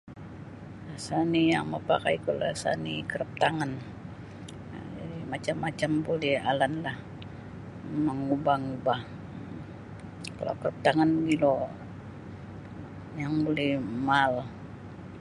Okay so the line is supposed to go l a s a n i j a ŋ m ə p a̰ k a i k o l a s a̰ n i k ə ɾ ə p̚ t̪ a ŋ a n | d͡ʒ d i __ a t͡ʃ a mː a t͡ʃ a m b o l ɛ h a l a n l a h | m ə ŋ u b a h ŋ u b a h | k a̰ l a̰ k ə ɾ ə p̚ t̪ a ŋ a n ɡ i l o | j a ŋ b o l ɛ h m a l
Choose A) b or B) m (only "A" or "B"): B